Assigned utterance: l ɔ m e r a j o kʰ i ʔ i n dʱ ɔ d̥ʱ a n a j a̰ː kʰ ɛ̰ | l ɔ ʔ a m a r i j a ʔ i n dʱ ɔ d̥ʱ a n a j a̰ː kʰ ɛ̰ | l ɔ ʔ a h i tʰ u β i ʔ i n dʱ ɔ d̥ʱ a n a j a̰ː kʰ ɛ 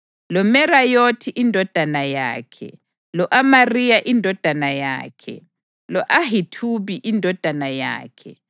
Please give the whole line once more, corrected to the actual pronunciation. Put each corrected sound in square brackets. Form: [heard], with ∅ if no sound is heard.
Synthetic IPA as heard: l ɔ m [ɛ] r a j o [tʰ] i ʔ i n dʱ ɔ d̥ʱ a n a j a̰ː kʰ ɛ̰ | l ɔ ʔ a m a r i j a ʔ i n dʱ ɔ d̥ʱ a n a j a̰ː kʰ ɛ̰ | l ɔ ʔ a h i tʰ u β i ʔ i n dʱ ɔ d̥ʱ a n a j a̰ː kʰ ɛ